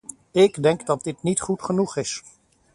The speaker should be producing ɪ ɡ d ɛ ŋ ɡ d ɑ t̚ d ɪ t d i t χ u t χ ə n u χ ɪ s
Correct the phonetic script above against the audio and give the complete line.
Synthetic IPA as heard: ɪ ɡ d ɛ ŋ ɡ d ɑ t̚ d ɪ t n i t χ u t χ ə n u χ ɪ s